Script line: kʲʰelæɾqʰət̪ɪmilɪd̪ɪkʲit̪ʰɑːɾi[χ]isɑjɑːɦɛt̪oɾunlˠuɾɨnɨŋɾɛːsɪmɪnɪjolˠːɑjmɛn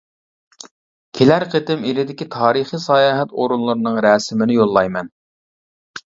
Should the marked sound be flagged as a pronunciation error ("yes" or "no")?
no